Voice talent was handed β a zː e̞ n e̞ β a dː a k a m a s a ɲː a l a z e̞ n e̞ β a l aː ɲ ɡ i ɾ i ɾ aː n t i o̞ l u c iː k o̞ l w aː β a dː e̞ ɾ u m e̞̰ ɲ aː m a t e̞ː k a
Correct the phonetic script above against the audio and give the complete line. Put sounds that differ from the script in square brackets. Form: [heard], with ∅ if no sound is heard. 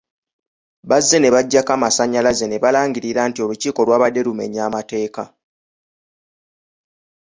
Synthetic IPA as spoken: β a zː e̞ n e̞ β a [ɟː] a k a m a s a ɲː a l a z e̞ n e̞ β a l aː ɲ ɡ i ɾ i ɾ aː n t i o̞ l u c iː k o̞ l w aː β a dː e̞ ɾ u m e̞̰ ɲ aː m a t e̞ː k a